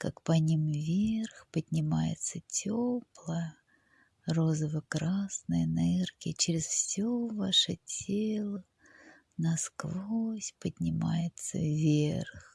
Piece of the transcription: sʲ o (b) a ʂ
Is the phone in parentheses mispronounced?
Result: yes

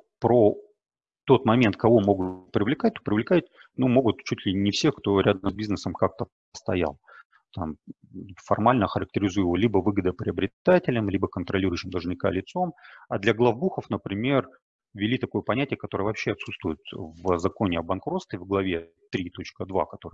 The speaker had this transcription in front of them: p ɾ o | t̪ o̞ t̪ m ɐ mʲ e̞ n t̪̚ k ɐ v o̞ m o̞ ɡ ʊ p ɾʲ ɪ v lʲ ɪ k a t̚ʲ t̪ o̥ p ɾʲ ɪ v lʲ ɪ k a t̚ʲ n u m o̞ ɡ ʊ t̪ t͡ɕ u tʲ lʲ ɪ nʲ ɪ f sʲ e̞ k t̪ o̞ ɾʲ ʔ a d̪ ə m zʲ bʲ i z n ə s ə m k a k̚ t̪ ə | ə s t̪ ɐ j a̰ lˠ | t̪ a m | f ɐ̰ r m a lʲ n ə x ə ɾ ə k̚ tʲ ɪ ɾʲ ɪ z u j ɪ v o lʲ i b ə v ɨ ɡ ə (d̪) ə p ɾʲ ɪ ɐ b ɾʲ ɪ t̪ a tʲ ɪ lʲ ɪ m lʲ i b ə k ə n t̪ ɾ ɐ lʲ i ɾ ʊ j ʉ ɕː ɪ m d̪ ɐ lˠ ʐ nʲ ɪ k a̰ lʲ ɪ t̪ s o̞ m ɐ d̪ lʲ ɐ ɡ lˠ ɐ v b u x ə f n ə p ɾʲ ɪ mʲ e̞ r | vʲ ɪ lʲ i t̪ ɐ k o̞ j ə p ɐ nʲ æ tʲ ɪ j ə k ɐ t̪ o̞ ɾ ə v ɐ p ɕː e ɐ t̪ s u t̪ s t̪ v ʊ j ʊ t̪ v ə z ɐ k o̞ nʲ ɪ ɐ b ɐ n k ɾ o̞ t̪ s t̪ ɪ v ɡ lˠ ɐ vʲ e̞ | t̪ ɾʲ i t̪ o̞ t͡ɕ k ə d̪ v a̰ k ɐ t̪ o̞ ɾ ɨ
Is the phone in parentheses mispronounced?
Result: no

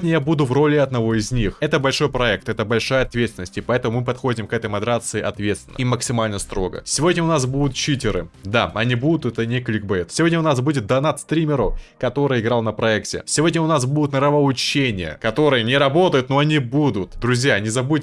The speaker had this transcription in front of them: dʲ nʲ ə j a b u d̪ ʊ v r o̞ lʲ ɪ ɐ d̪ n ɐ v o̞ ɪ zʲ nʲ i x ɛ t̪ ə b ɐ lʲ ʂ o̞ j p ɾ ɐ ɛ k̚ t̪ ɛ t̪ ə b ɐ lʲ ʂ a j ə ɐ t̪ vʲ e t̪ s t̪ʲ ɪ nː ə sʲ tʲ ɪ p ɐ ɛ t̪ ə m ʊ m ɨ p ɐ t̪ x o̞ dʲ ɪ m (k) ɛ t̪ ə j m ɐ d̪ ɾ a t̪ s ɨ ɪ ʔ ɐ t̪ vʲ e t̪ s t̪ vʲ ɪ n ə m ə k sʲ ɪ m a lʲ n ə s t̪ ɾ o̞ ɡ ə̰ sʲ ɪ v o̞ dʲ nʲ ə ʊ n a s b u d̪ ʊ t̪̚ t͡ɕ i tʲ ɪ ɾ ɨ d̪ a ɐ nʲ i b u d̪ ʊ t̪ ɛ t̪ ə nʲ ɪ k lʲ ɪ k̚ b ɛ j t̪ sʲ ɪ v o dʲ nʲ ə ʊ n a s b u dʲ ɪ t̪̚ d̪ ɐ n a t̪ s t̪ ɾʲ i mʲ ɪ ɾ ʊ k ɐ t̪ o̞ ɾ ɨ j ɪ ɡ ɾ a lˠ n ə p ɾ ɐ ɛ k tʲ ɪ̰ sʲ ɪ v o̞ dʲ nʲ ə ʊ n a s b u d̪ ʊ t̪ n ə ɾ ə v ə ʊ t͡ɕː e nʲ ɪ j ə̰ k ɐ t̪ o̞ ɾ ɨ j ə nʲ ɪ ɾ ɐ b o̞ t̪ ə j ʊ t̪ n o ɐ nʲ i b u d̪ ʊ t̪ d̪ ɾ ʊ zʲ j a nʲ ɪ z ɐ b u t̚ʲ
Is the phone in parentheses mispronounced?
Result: no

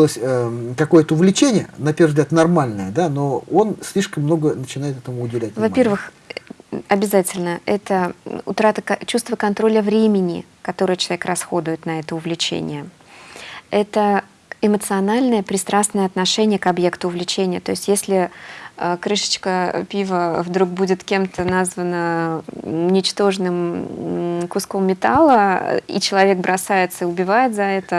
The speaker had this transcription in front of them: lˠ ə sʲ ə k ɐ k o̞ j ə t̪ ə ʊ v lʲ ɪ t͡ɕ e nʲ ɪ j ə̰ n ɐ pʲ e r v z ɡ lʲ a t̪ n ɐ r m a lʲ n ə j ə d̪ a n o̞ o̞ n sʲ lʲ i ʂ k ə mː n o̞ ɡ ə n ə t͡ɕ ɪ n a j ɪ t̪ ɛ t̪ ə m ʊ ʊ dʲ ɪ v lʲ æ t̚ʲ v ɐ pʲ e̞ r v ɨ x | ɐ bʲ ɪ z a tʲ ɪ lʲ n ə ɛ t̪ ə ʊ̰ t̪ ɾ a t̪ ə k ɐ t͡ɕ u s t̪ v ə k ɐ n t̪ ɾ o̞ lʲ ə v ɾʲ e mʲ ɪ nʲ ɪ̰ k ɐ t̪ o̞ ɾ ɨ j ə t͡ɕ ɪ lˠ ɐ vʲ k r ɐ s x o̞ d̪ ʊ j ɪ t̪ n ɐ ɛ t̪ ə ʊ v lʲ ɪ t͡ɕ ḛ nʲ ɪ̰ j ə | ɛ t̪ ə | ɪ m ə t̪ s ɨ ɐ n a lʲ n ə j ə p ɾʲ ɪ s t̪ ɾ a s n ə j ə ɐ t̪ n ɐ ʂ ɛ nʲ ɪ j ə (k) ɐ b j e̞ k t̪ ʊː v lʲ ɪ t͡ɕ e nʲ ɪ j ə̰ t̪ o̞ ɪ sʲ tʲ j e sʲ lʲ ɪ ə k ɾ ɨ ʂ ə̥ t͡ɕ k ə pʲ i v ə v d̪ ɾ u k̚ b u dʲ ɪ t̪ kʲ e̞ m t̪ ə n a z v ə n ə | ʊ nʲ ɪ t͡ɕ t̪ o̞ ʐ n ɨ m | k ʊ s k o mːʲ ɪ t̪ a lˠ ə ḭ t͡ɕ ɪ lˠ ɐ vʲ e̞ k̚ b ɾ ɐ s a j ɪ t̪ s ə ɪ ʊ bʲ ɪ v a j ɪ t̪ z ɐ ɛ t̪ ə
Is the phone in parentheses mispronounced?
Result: no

